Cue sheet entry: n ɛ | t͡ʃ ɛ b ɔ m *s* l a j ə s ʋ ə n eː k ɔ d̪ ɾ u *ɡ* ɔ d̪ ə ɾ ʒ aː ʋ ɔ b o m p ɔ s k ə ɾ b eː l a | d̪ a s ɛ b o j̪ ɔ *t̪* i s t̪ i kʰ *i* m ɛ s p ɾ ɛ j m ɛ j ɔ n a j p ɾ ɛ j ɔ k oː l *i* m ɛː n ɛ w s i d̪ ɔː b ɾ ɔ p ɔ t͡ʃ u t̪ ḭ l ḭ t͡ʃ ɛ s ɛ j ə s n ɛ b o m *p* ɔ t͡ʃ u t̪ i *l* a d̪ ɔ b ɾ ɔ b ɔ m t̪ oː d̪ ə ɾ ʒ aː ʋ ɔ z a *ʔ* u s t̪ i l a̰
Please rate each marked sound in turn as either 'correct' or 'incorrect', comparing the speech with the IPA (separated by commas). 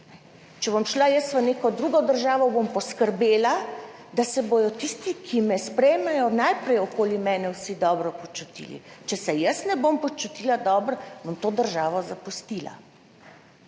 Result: incorrect, correct, correct, correct, correct, correct, correct, incorrect